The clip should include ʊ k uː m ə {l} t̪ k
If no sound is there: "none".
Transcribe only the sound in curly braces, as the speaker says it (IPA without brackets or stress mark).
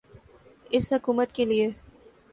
none